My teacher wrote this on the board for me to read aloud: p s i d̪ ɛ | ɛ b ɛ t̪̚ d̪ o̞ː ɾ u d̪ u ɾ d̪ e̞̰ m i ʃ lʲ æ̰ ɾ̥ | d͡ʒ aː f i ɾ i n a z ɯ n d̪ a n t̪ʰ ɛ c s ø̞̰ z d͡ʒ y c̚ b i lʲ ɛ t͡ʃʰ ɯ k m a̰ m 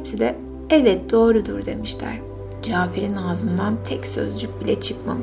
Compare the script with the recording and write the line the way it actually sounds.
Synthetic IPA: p s i d̪ ɛ | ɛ v ɛ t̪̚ d̪ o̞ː ɾ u d̪ u ɾ d̪ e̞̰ m i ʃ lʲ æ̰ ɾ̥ | d͡ʒ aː f i ɾ i n a z ɯ n d̪ a n t̪ʰ ɛ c s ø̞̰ z d͡ʒ y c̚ b i lʲ ɛ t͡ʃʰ ɯ k m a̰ m